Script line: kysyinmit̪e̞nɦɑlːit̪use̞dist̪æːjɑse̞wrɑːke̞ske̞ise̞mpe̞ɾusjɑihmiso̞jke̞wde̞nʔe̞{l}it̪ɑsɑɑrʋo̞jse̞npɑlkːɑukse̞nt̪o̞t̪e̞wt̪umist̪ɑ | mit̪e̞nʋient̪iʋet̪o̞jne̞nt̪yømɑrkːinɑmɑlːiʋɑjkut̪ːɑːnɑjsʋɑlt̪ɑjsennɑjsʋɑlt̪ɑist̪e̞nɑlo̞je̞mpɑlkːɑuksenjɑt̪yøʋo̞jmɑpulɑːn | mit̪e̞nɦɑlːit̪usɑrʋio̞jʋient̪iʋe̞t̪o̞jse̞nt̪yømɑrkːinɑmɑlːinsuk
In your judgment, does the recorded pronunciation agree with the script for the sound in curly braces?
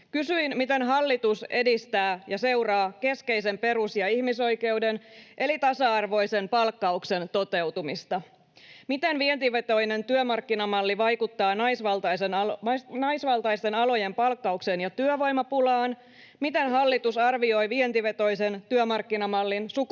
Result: yes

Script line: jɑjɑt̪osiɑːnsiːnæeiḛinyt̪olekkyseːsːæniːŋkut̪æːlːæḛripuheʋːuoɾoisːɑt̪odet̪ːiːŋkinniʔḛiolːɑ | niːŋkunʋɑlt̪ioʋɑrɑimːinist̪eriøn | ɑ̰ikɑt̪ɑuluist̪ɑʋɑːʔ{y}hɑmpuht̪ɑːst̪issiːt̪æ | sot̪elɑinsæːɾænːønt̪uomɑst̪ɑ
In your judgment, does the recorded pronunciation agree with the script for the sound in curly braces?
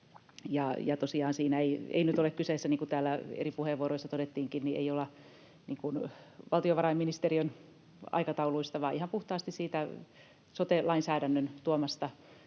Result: no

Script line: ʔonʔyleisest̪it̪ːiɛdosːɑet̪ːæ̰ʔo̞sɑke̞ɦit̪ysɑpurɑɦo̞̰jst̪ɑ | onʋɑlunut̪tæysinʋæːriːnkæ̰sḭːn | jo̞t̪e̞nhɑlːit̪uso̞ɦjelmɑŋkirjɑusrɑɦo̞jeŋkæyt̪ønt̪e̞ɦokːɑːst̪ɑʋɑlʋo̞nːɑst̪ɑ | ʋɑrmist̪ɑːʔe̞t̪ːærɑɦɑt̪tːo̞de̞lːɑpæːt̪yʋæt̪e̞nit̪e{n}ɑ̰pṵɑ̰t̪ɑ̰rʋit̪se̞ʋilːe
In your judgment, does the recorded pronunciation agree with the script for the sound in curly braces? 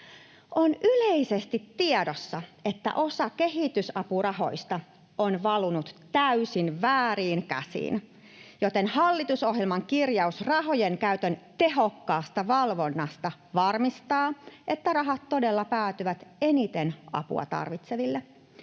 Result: yes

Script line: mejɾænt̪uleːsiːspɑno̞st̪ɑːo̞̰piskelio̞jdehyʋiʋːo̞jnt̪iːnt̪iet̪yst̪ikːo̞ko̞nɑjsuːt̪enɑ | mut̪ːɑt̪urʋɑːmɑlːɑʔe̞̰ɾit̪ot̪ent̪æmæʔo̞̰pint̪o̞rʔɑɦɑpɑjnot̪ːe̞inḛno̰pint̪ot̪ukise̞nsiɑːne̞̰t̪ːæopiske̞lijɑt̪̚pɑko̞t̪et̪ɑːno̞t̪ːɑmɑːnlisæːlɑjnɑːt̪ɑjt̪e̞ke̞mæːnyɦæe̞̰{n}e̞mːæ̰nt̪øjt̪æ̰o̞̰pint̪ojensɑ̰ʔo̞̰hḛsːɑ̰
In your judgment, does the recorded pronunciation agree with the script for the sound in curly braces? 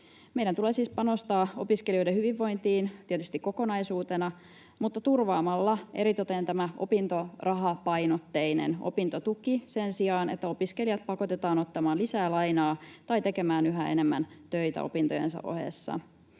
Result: yes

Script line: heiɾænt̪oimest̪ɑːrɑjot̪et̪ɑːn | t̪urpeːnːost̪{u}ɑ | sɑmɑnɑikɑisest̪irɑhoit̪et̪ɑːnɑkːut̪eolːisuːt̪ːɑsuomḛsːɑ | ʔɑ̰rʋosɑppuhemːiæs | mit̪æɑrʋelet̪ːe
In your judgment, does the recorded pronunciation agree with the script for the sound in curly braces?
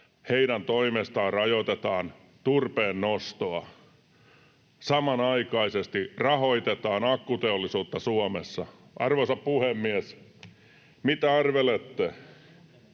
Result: no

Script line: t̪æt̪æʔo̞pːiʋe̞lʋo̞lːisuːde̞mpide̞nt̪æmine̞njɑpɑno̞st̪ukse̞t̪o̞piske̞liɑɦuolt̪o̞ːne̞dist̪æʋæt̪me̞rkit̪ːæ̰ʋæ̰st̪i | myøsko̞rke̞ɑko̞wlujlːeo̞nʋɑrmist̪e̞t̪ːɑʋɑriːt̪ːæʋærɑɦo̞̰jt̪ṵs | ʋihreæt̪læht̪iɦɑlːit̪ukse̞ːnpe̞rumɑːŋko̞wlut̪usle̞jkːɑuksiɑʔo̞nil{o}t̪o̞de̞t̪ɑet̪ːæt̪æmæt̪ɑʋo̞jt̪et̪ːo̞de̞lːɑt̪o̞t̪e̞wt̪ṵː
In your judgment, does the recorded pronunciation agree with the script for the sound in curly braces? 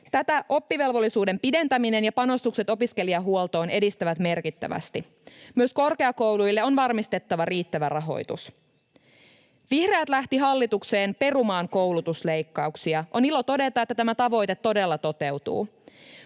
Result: yes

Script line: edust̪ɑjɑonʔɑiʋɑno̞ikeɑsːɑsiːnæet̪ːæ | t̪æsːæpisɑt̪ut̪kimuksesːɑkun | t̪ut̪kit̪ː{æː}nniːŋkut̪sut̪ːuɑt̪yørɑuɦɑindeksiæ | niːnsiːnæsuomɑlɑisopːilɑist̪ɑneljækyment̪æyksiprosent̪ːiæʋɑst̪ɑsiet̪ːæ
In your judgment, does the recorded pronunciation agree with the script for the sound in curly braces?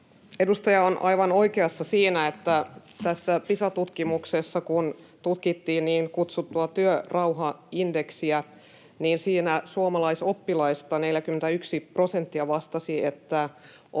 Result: no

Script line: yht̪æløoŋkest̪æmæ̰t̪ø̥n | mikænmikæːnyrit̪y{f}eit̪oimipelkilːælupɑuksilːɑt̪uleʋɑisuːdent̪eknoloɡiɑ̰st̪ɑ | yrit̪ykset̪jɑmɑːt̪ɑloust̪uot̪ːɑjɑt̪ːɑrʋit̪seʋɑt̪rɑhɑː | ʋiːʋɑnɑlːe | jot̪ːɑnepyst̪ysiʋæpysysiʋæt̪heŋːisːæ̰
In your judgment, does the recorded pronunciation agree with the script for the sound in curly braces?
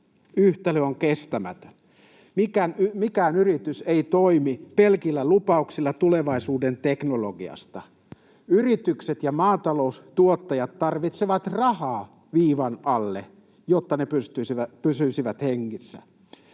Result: no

